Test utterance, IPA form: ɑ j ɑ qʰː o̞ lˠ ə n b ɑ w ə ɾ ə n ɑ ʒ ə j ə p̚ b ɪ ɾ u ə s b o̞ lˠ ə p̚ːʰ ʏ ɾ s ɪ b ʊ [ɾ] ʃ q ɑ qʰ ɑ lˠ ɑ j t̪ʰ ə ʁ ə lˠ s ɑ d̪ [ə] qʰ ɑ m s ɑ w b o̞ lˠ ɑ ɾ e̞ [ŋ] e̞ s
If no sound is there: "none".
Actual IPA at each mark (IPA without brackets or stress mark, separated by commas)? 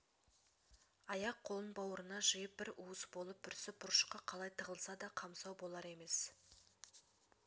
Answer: ɾ, ɑ, m